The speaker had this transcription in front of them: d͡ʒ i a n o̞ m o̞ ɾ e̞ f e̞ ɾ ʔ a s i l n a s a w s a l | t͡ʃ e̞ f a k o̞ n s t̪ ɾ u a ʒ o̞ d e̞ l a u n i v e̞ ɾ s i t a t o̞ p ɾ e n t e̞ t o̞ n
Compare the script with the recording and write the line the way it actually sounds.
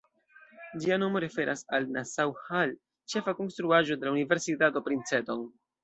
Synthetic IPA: d͡ʒ i a n o̞ m o̞ ɾ e̞ f e̞ ɾ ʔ a s a l n a s a w h a l | t͡ʃ e̞ f a k o̞ n s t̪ ɾ u a ʒ o̞ d e̞ l a u n i v e̞ ɾ s i t a t o̞ p ɾ i n t͡s e̞ t o̞ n